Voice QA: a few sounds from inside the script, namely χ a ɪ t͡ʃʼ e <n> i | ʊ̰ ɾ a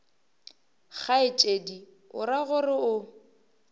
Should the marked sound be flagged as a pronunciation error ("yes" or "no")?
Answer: yes